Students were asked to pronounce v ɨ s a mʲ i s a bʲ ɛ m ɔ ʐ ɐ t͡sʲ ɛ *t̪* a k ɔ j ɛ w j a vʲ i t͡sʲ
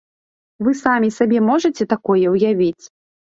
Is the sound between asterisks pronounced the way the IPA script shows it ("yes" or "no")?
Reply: yes